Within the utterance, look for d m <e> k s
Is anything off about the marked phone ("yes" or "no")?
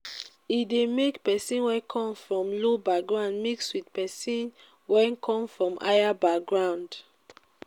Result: yes